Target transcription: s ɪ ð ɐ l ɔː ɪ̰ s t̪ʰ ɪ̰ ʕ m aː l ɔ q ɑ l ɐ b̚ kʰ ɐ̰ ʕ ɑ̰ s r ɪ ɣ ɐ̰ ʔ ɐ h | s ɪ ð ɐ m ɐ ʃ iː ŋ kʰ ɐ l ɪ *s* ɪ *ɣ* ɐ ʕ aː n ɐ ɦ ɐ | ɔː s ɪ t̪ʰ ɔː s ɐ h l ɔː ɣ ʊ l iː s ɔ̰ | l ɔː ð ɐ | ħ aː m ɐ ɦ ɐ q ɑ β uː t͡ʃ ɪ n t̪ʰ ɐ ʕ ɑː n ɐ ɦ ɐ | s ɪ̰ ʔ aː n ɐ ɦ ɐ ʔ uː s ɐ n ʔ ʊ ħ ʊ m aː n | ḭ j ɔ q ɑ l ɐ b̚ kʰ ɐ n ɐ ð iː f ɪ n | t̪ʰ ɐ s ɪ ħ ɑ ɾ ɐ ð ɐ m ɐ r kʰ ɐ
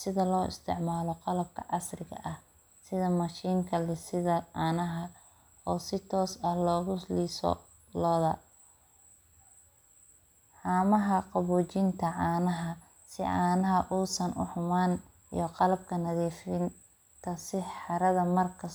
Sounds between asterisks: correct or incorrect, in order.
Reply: correct, incorrect: ð

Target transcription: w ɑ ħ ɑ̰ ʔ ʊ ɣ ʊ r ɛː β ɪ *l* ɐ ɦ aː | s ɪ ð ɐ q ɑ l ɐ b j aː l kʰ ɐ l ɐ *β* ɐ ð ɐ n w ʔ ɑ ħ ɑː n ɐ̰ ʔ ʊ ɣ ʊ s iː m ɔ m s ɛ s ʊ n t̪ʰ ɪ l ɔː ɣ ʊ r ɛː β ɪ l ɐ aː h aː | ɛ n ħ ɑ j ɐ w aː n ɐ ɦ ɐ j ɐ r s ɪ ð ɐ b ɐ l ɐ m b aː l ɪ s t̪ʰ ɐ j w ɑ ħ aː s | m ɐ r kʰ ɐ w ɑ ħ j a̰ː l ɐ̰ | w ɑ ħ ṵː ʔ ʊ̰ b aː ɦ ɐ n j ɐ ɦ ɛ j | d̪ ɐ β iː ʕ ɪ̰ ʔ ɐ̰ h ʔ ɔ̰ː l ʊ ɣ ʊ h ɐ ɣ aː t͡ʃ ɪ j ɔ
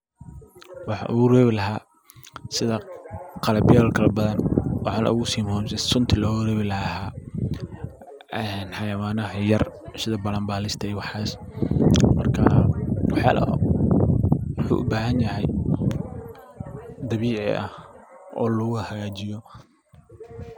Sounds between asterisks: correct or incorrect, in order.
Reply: correct, incorrect: b

